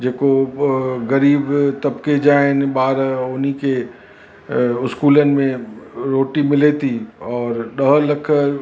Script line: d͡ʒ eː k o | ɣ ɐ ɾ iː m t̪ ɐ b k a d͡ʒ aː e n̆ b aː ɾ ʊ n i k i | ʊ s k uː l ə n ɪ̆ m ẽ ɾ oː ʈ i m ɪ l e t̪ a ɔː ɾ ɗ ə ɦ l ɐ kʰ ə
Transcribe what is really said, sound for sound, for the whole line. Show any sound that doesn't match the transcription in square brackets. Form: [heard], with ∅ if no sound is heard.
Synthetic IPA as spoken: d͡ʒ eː k o | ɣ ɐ ɾ iː [b] t̪ ɐ b k [e] d͡ʒ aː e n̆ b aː ɾ ʊ n i k [e] | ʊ s k uː l ə n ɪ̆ m ẽ ɾ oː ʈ i m ɪ l e t̪ [i] ɔː ɾ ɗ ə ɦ l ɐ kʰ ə